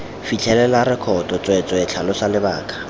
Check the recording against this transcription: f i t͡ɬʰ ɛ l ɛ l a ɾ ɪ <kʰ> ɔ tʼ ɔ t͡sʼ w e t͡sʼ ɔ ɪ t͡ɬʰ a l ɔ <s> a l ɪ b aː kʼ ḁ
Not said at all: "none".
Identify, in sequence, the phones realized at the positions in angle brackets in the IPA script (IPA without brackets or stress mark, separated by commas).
kʰ, s